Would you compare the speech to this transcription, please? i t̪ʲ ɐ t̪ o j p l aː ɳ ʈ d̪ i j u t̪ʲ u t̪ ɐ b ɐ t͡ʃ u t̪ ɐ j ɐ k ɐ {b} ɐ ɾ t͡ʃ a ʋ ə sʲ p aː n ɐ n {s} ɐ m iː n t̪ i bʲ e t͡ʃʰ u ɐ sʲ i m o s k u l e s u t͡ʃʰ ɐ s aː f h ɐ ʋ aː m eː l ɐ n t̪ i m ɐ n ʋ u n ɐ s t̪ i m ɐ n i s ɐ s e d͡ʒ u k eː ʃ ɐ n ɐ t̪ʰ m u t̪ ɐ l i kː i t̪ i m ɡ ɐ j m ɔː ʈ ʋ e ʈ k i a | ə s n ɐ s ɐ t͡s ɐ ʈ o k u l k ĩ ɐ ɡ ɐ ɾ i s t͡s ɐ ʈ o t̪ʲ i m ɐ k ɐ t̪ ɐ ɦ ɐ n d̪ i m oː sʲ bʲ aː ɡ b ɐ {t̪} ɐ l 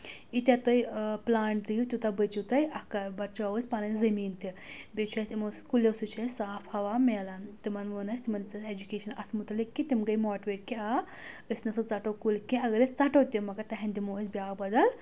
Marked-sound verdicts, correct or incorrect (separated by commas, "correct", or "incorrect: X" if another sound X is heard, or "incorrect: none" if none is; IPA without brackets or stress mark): correct, incorrect: z, incorrect: d̪